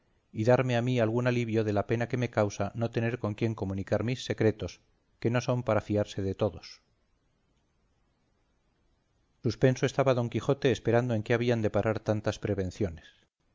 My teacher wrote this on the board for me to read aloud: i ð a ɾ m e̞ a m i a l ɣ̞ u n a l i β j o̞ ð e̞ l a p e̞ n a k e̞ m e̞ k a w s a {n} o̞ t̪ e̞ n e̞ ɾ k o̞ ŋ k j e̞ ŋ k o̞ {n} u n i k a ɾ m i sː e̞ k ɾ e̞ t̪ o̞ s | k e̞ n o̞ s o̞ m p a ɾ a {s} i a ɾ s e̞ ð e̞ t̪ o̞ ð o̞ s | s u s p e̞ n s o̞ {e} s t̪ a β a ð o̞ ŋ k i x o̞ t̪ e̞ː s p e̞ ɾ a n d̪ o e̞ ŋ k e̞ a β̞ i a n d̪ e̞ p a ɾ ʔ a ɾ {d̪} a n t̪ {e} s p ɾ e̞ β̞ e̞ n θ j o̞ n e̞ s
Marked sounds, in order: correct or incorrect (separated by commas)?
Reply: correct, incorrect, incorrect, correct, incorrect, incorrect